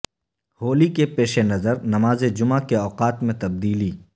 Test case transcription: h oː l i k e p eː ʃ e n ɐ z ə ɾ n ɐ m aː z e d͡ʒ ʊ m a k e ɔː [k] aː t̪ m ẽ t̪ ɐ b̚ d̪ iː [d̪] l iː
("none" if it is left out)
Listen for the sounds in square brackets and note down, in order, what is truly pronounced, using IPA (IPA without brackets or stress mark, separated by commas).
q, none